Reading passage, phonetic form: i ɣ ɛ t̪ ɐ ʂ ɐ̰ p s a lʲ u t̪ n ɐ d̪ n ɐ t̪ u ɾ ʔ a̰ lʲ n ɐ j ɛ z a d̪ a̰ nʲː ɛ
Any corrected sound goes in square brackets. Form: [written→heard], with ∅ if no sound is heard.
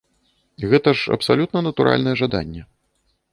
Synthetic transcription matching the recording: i ɣ ɛ t̪ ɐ ʂ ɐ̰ p s a lʲ u t̪ n ɐ [d̪→∅] n ɐ t̪ u ɾ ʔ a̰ lʲ n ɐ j ɛ [z→ʐ] a d̪ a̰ nʲː ɛ